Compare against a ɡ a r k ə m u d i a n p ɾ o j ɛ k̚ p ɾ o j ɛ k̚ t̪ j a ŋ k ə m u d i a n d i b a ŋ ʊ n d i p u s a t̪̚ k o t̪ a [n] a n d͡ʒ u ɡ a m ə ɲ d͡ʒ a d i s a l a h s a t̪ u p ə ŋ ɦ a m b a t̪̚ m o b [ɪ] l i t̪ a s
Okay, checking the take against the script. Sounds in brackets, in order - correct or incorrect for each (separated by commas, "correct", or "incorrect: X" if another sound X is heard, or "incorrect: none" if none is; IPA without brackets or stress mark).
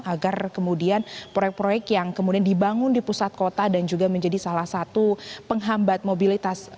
incorrect: d, incorrect: i